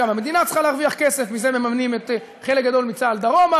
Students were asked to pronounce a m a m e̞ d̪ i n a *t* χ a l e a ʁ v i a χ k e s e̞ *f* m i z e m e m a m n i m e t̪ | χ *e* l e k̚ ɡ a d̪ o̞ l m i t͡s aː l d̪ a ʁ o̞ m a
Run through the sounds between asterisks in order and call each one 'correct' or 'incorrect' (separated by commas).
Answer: incorrect, correct, correct